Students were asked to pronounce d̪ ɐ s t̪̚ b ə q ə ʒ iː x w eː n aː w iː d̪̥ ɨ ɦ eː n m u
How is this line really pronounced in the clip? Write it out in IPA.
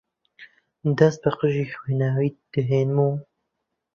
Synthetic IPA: d̪ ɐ s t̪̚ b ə q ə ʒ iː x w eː n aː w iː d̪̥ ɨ ɦ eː n m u